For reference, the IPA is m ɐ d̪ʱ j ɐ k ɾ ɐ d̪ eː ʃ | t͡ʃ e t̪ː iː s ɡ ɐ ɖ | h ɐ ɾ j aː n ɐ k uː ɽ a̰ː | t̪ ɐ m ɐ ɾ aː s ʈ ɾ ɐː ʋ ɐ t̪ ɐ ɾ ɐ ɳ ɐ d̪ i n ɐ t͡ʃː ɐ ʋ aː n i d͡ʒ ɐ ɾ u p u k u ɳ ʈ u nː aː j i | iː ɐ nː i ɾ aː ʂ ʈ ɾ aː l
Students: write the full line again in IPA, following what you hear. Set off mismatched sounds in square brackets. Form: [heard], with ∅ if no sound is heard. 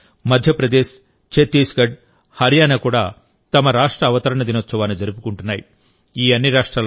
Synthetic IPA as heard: m ɐ d̪ʱ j ɐ [p] ɾ ɐ d̪ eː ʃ | t͡ʃ e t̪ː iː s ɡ ɐ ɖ | h ɐ ɾ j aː n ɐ k uː ɽ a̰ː | t̪ ɐ m ɐ ɾ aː [ʂ] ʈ ɾ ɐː ʋ ɐ t̪ ɐ ɾ ɐ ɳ ɐ d̪ i n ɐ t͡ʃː ɐ ʋ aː n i d͡ʒ ɐ ɾ u p u k u ɳ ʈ u nː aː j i | iː ɐ nː i ɾ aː ʂ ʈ ɾ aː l